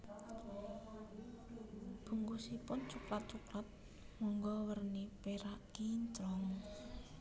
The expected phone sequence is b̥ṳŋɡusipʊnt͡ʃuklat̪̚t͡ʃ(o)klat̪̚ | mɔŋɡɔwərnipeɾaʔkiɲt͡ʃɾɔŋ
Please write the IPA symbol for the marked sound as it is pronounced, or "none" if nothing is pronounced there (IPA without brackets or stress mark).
u